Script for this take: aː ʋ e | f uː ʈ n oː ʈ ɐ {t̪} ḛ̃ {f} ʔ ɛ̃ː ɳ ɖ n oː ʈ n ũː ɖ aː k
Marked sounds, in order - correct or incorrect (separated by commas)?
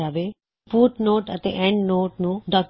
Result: correct, incorrect